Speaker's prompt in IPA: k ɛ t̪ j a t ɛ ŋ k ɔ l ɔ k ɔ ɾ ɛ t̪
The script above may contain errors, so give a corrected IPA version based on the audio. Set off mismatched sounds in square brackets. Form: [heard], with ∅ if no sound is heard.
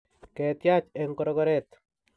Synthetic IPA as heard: k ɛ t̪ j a [t͡ʃ] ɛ ŋ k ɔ [ɾ] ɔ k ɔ ɾ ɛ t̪